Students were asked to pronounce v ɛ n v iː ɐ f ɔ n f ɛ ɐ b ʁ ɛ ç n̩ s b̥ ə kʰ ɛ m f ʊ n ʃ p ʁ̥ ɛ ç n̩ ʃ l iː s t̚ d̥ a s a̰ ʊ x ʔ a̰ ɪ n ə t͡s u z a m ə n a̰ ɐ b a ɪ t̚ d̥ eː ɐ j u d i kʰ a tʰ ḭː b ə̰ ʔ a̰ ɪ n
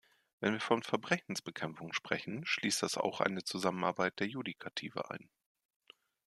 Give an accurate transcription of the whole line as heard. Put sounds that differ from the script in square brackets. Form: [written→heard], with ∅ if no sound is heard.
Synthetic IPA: v ɛ n v iː ɐ f ɔ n f ɛ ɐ b ʁ ɛ ç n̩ s b̥ ə kʰ ɛ m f ʊ [n→ŋ] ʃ p ʁ̥ ɛ ç n̩ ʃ l iː s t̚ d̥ a s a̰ ʊ x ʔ a̰ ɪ n ə t͡s u z a m ə n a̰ ɐ b a ɪ t̚ d̥ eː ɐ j u d i kʰ a tʰ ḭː [b→v] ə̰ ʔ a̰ ɪ n